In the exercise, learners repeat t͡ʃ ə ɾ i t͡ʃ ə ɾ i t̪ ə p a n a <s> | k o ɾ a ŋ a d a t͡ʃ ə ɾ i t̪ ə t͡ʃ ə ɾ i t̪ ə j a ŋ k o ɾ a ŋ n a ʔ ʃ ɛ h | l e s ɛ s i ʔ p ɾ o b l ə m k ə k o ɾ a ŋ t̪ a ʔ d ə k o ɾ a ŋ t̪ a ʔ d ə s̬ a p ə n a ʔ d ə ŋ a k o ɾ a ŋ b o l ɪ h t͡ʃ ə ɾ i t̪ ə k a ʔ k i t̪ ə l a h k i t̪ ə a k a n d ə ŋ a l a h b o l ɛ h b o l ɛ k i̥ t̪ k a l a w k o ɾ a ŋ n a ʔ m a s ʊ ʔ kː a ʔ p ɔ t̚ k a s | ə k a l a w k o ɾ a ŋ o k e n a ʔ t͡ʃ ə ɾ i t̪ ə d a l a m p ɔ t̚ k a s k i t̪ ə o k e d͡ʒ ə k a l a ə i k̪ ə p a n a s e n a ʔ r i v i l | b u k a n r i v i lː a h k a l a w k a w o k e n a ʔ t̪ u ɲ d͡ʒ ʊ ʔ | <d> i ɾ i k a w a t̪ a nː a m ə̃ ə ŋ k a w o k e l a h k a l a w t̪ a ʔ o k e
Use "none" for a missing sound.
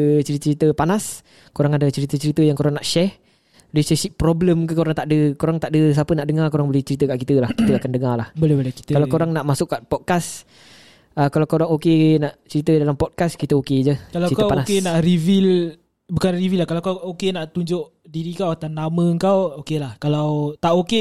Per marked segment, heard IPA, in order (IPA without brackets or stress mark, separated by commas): s, d